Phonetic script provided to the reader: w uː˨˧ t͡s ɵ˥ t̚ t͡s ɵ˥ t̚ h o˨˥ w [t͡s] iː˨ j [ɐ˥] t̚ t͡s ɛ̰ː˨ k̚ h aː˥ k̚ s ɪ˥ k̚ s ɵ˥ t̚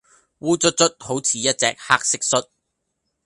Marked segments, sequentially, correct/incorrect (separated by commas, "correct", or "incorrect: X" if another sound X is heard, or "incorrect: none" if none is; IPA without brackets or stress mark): incorrect: t͡sʰ, correct